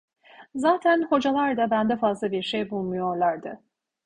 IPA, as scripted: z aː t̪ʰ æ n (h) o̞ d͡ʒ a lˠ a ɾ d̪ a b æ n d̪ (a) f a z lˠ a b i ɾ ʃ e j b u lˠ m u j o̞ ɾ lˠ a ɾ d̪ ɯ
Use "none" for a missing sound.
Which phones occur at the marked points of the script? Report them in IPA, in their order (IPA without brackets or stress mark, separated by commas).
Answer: h, ɛ